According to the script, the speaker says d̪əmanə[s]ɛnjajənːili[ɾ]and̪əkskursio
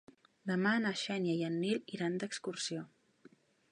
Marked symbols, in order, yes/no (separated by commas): no, yes